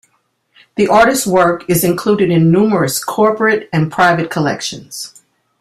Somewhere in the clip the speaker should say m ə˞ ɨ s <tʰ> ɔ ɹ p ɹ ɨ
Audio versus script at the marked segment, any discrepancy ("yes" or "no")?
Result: yes